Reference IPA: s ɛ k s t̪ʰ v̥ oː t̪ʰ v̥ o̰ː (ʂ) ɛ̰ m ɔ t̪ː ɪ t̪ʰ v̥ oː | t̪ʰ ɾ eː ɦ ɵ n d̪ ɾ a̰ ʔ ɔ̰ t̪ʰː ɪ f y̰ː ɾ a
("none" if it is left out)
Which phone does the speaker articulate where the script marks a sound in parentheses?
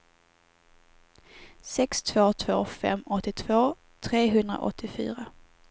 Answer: f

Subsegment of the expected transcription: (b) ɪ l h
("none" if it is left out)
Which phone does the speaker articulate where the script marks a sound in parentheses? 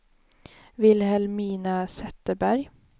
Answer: v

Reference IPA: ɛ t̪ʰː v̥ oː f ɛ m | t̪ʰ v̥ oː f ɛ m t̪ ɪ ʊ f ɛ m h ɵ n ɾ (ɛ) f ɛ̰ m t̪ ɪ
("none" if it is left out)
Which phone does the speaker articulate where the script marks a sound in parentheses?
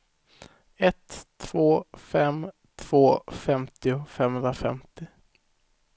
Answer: a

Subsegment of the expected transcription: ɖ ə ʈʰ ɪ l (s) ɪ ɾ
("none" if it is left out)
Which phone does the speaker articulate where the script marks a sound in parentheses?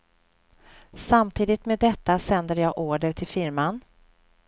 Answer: f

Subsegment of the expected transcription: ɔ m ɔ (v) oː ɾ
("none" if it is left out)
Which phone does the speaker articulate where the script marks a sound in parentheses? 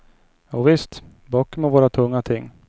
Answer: v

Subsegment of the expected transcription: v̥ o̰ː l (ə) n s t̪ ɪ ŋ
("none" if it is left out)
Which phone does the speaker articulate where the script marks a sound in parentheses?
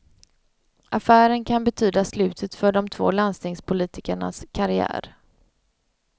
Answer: a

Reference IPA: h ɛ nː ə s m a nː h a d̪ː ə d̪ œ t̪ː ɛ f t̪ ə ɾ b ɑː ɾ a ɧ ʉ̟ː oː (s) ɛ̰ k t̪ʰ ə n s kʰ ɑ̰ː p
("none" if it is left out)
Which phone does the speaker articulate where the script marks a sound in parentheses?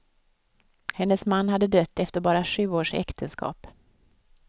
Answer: ʂ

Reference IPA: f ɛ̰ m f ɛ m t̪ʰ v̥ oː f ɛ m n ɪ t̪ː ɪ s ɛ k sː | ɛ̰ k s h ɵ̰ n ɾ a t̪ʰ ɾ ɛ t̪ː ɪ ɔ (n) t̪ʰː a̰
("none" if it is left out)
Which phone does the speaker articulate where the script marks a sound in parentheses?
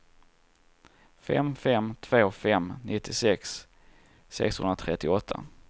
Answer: none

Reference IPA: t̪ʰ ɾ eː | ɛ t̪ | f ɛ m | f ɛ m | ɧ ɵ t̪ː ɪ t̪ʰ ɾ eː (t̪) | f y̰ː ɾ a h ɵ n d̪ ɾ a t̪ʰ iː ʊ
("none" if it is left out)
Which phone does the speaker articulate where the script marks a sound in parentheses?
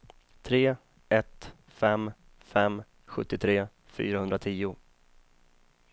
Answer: none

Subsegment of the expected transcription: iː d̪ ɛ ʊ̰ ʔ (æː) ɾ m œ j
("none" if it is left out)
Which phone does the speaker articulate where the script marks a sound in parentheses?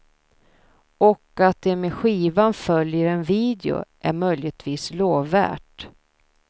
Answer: æ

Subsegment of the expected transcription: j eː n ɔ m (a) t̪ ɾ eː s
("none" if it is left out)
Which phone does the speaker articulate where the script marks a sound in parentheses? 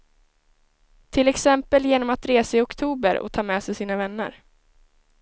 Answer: a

